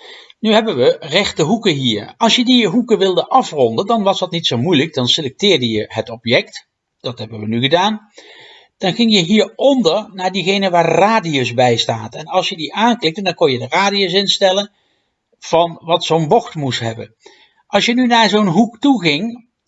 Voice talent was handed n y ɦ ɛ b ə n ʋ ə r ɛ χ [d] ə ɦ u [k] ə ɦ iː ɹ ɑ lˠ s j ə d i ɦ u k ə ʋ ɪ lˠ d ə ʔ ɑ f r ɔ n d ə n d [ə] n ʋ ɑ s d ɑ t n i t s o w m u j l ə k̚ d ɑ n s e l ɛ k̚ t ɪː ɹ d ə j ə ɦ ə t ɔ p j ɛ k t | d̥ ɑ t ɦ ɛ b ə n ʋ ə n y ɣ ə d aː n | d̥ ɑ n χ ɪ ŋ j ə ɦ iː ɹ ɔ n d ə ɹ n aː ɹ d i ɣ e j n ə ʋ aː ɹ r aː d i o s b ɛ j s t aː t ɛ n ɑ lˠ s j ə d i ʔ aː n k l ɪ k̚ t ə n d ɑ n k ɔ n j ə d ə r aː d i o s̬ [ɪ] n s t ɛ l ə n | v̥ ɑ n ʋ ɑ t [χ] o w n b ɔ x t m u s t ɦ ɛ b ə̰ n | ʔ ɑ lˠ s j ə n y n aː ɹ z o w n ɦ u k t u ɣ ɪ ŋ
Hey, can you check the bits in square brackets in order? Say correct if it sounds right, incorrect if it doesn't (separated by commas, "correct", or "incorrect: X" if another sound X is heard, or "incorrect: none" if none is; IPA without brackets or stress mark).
incorrect: t, correct, incorrect: ɑ, correct, incorrect: s